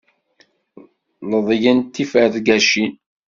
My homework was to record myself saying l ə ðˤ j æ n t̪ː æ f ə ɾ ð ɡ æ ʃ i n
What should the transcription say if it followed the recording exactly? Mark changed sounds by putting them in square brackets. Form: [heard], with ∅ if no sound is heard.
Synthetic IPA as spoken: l ə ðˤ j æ n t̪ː [i] f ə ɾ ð ɡ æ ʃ i n